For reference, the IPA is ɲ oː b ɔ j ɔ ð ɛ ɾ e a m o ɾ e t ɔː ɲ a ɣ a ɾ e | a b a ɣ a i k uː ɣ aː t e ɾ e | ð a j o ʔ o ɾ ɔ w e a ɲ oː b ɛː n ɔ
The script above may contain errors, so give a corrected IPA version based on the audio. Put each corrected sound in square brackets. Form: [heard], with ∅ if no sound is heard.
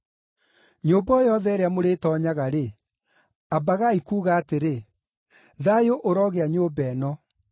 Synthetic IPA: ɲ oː b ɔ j ɔ ð ɛ ɾ e a m o ɾ e t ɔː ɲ a ɣ a ɾ e | a b a ɣ a i k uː ɣ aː t e ɾ e | ð a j o ʔ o ɾ ɔ [ɣ] e a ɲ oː b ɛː n ɔ